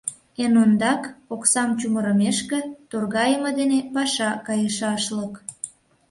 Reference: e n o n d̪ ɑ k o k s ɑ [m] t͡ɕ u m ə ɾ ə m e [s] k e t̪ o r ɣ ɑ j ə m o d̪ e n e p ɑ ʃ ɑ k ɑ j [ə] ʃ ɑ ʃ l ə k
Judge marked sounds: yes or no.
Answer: yes, no, yes

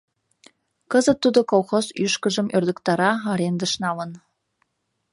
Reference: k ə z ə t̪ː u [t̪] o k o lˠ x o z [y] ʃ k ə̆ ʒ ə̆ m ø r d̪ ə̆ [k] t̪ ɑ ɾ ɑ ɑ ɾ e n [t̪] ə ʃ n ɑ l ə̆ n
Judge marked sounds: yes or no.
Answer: no, yes, yes, no

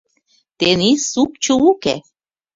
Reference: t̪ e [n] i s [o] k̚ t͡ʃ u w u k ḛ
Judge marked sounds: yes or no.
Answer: yes, no

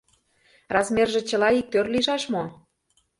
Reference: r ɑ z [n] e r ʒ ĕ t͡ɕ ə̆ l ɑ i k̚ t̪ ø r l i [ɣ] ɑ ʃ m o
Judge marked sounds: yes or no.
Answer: no, no

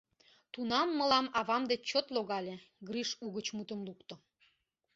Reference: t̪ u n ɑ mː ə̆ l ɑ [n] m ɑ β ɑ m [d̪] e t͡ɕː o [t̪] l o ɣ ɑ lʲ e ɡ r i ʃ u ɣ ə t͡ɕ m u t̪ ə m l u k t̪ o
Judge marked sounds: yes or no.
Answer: no, yes, yes

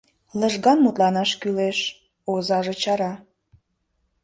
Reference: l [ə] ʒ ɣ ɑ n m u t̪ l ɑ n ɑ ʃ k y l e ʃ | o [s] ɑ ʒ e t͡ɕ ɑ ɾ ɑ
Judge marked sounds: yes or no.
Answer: yes, no

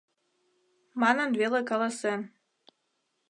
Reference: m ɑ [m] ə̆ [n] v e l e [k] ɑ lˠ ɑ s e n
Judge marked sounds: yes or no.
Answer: no, yes, yes

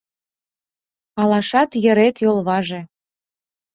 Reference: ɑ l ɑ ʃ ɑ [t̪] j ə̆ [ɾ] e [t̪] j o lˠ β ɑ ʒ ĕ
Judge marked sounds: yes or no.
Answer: yes, yes, yes

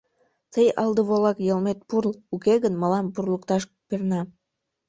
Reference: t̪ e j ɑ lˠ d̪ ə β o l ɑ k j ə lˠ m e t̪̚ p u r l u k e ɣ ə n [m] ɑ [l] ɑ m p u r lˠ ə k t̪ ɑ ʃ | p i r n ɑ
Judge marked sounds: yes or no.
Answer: yes, yes

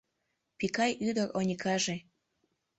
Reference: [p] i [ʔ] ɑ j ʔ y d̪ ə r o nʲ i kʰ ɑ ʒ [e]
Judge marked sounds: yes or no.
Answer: yes, no, yes

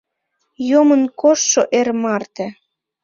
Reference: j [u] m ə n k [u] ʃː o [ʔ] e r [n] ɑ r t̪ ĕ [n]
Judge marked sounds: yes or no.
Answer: no, no, yes, no, no

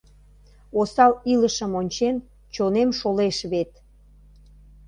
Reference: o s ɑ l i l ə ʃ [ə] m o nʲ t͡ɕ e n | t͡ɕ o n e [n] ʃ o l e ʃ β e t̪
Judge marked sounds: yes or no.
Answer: yes, no

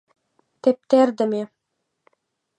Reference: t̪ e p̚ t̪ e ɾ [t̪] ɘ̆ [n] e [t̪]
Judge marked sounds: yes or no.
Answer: no, no, no

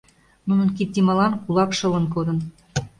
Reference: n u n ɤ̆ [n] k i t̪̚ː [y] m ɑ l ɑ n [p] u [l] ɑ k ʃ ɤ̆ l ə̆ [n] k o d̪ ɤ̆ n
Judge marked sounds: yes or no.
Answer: yes, no, no, yes, yes

